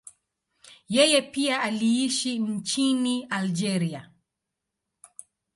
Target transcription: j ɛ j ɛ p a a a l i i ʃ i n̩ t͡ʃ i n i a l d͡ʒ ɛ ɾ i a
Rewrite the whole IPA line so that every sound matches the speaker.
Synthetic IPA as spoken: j ɛ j ɛ p i a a l i i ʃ i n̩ t͡ʃ i n i a l d͡ʒ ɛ ɾ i a

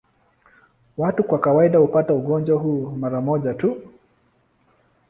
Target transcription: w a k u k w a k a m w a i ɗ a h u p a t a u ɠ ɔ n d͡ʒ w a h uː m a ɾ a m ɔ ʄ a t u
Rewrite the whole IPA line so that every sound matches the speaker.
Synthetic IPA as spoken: w a t u k w a k a w a i ɗ a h u p a t a u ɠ ɔ n d͡ʒ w a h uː m a ɾ a m ɔ ʄ a t u

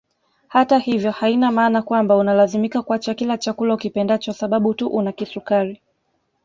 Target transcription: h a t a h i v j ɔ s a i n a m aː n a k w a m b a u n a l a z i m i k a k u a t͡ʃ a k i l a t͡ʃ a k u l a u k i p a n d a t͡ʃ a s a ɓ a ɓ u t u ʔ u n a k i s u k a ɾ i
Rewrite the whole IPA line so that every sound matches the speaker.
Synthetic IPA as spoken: h a t a h i v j ɔ h a i n a m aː n a k w a m b a u n a l a z i m i k a k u a t͡ʃ a k i l a t͡ʃ a k u l a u k i p ɛ n d a t͡ʃ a s a ɓ a ɓ u t u ʔ u n a k i s u k a ɾ i

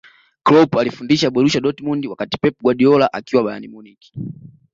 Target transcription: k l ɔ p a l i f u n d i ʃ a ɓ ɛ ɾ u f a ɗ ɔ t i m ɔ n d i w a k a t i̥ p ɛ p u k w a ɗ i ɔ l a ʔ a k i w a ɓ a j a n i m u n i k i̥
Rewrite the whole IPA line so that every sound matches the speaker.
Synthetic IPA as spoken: k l ɔ p a l i f u n d i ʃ a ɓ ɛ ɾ u ʃ a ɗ ɔ t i m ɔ n d i w a k a t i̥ p ɛ p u ɡ w a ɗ i ɔ l a ʔ a k i w a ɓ a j a n i m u n i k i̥

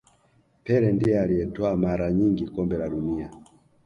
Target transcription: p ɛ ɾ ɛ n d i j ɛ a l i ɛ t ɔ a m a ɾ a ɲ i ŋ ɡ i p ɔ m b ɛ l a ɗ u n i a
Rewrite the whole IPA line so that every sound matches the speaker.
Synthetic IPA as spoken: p ɛ ɾ ɛ n d i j ɛ a l i ɛ t ɔ a m a ɾ a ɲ i ŋ ɡ i k ɔ m b ɛ l a ɗ u n i a

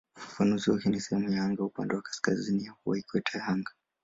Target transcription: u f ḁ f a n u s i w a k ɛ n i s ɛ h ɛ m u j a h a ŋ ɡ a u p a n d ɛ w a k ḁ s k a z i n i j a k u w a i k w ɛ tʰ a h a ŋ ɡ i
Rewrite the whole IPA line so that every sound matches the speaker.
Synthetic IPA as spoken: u f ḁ f a n u z i w a k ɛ n i s ɛ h ɛ m u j a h a ŋ ɡ a u p a n d ɛ w a k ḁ s k a z i n i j a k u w a i k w ɛ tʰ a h a ŋ ɡ a

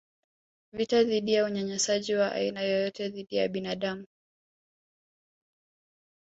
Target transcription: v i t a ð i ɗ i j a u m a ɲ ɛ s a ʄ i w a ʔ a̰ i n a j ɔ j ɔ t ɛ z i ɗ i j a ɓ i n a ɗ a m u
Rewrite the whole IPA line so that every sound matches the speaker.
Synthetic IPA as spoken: v i t a ð i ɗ i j a u ɲ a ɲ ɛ s a ʄ i w a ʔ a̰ i n a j ɔ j ɔ t ɛ ð i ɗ i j a ɓ i n a ɗ a m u

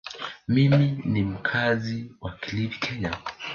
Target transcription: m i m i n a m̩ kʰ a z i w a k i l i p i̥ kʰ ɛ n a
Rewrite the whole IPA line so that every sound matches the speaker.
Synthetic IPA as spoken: m i m i n i m̩ kʰ a z i w a k i l i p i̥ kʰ ɛ ɲ a

